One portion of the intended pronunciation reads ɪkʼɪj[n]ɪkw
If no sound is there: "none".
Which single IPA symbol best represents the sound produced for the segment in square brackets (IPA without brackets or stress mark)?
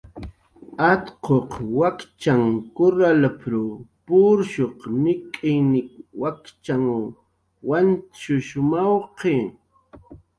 n